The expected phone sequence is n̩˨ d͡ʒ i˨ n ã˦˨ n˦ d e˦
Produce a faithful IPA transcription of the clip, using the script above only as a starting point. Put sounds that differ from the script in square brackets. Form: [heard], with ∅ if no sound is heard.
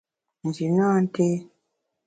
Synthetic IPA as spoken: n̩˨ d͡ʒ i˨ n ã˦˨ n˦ [t] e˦